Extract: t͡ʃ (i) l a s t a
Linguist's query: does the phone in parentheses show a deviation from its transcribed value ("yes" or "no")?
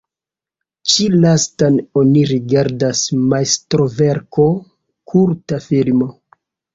no